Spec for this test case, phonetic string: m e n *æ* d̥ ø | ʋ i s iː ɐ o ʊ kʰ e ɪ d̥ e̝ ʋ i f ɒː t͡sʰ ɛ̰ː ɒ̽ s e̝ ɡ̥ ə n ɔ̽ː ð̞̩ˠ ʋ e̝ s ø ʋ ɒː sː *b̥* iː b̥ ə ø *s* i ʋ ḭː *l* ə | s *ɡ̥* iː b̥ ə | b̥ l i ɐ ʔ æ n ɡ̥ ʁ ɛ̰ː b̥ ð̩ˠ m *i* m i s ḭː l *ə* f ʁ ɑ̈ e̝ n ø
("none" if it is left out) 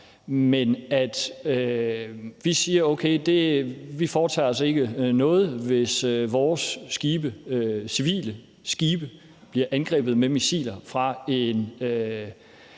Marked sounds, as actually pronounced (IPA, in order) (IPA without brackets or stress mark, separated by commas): æ, ɡ̥, s, l, ɡ̥, e, ɐ